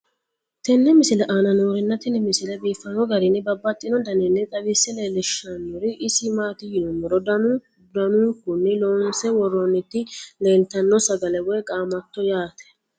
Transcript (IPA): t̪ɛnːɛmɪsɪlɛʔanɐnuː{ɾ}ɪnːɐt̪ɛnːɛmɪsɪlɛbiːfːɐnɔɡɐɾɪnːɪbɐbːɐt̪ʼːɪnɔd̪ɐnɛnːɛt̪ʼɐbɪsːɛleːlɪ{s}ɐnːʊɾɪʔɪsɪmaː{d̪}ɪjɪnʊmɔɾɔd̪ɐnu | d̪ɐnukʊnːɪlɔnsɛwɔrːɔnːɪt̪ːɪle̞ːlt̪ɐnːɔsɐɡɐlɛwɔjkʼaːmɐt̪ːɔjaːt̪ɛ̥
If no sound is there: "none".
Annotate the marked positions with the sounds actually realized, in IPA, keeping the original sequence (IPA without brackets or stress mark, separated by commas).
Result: ɾ, ʃ, t̪